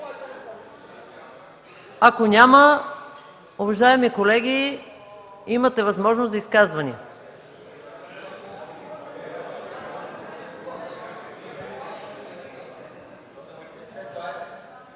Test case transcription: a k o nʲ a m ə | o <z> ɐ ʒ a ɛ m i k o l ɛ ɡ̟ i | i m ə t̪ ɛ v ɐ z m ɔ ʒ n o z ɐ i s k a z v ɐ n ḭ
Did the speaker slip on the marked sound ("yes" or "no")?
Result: yes